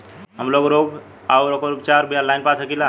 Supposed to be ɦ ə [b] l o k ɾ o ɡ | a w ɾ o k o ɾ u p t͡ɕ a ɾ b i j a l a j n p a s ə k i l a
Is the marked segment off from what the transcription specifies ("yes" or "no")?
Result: yes